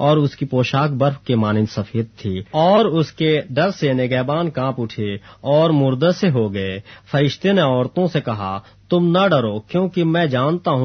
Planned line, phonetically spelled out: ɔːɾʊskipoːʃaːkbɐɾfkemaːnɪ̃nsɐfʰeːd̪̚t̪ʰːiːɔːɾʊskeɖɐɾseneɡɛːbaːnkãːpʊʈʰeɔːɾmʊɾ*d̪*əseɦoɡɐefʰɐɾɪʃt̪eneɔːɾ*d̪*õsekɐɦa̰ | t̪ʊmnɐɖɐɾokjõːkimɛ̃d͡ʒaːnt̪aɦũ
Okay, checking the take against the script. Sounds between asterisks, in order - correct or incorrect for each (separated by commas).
correct, incorrect